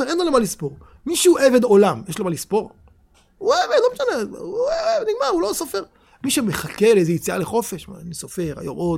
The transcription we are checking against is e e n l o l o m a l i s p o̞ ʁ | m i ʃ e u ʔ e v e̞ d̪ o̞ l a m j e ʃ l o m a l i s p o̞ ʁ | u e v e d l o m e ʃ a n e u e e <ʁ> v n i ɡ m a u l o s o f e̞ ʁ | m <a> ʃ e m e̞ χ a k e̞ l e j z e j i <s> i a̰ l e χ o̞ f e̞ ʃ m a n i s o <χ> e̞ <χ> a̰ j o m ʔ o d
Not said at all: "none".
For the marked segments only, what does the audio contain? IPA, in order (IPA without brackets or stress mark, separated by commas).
none, i, t͡s, f, ʁ